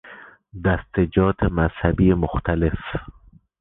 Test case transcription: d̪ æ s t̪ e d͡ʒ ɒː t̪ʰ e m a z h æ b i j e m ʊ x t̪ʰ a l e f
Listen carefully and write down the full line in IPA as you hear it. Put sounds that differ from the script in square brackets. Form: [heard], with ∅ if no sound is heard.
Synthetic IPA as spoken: d̪ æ s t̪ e d͡ʒ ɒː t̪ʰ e m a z h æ b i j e m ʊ x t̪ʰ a l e f